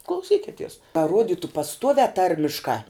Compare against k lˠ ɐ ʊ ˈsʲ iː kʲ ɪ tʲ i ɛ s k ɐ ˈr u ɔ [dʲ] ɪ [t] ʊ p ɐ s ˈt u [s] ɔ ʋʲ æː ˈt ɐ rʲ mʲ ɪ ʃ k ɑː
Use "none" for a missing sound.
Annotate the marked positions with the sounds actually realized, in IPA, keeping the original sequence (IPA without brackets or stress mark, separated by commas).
dʲ, t, none